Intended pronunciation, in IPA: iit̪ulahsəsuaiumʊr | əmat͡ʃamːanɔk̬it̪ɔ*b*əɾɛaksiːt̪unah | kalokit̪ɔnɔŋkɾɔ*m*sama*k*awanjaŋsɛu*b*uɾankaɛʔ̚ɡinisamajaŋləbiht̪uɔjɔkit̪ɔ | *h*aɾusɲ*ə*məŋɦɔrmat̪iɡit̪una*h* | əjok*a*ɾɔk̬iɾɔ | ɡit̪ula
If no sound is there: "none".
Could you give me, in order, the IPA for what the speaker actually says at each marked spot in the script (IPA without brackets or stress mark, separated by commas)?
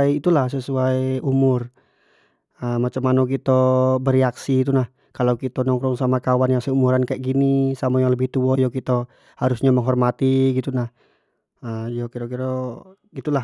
b, ŋ, k, m, h, a, h, i